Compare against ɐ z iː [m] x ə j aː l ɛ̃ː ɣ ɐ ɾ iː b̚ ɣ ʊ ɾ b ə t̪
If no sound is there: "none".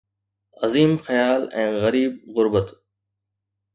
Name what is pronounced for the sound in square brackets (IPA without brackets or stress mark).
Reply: m